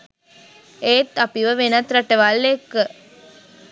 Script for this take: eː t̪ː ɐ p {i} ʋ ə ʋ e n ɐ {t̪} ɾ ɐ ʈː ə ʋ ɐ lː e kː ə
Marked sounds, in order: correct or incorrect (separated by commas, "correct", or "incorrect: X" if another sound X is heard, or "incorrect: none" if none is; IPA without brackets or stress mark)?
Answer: correct, correct